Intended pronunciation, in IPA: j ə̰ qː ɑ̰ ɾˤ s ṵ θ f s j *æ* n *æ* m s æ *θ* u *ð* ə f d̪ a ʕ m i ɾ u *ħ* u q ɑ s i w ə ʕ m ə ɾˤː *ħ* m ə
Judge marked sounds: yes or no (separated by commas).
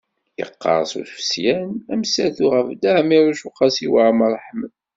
yes, yes, yes, no, no, yes